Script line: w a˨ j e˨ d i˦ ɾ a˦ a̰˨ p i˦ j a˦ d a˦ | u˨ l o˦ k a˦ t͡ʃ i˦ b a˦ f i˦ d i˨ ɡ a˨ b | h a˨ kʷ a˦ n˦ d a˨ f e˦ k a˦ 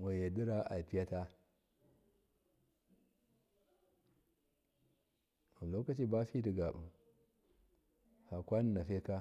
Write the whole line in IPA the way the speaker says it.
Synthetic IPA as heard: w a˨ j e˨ d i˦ ɾ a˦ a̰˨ p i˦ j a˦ t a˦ | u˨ l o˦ k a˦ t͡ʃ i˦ b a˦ f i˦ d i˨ ɡ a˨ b | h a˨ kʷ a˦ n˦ n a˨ f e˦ k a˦